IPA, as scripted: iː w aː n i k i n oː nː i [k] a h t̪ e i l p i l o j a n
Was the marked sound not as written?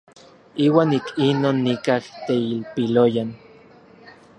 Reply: no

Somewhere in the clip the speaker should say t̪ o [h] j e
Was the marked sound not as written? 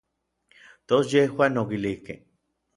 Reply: yes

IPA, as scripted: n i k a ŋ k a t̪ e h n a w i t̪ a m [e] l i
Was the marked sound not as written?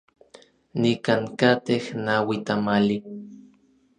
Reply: yes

